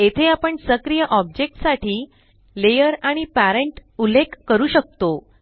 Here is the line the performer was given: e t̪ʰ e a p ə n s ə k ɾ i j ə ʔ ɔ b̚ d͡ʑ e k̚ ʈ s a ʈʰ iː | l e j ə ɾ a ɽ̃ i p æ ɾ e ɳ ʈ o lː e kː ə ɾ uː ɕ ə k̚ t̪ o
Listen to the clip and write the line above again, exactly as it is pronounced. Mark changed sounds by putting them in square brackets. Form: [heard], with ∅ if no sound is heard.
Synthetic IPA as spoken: e t̪ʰ e a p ə [ɳ] s ə k ɾ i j ə ʔ ɔ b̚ d͡ʑ e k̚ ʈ s a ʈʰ iː | l e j ə ɾ a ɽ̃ i p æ ɾ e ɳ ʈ [u] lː e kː ə ɾ uː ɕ ə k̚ t̪ o